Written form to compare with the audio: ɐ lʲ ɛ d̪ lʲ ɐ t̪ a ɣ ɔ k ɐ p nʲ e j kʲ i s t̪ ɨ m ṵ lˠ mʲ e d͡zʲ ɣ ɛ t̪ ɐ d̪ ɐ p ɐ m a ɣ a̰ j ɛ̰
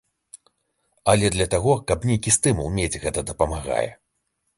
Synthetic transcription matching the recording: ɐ lʲ ɛ d̪ lʲ ɐ t̪ a ɣ ɔ k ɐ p nʲ e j kʲ i s t̪ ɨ m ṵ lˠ mʲ e d͡zʲ ɣ ɛ t̪ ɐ d̪ ɐ p ɐ m a ɣ a̰ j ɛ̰